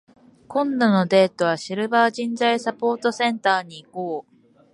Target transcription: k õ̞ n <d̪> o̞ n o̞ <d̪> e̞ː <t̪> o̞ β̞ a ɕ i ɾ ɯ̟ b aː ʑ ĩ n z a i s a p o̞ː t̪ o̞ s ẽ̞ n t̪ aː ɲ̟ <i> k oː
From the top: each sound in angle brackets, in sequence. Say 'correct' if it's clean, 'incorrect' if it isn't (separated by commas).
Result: correct, correct, correct, incorrect